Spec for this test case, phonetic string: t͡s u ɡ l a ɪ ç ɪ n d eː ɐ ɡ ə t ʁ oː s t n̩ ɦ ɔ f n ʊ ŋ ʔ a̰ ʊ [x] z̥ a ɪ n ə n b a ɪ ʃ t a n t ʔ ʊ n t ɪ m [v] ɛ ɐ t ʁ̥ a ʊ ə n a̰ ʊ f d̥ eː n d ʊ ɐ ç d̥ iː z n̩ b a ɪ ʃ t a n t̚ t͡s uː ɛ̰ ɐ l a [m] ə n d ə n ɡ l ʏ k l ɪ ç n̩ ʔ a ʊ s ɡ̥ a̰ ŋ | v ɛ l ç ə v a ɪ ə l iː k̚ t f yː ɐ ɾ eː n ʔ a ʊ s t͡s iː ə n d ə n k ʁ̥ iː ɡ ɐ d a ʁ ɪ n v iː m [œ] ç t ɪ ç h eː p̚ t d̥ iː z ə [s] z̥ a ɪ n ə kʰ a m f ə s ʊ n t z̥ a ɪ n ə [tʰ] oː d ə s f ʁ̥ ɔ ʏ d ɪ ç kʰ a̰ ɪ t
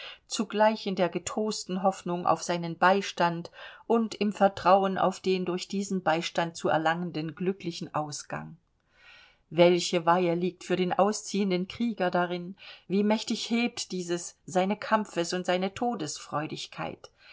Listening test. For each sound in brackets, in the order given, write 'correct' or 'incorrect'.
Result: incorrect, incorrect, incorrect, incorrect, correct, correct

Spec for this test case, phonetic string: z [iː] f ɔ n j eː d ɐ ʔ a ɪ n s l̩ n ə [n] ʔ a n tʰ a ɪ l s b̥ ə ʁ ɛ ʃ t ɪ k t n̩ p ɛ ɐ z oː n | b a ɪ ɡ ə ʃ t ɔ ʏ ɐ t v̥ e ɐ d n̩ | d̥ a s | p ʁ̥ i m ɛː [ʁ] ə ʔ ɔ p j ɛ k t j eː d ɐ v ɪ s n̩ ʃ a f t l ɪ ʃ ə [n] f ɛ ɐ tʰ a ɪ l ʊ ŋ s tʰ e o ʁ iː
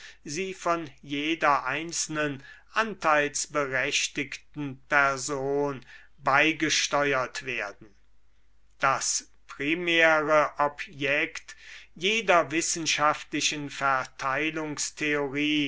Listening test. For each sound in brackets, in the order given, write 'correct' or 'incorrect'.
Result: correct, correct, correct, correct

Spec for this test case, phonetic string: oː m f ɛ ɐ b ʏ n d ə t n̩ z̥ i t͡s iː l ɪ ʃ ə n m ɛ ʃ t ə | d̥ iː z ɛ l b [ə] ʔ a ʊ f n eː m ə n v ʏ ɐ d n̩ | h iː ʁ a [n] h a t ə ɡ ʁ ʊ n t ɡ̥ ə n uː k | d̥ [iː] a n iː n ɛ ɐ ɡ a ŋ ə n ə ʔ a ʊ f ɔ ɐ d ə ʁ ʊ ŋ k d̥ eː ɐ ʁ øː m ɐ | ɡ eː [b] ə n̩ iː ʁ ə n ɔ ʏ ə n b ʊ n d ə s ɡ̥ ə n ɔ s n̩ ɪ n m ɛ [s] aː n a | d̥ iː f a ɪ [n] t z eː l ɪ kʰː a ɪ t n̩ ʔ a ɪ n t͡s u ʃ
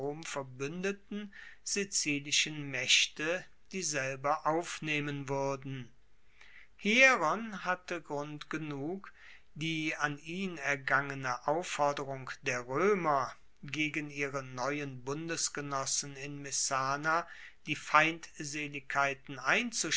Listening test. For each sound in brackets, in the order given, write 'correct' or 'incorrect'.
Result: incorrect, correct, correct, incorrect, correct, correct

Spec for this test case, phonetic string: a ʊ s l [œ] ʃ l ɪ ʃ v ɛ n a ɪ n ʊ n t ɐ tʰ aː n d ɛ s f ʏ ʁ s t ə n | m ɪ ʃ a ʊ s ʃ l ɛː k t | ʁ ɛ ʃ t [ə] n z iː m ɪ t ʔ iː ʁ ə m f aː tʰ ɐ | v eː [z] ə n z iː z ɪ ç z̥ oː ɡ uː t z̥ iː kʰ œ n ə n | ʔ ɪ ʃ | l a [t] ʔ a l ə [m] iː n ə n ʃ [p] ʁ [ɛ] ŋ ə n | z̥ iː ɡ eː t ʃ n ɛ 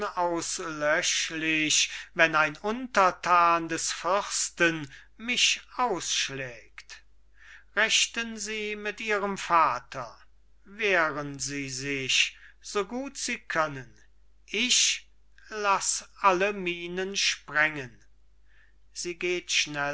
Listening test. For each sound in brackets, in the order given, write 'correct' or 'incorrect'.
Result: correct, correct, incorrect, incorrect, correct, correct, correct

